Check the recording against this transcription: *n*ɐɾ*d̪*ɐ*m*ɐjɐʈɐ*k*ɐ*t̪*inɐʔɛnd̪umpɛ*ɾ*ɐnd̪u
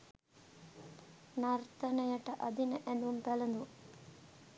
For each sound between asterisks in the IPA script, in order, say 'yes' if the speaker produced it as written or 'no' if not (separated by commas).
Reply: yes, no, no, no, no, no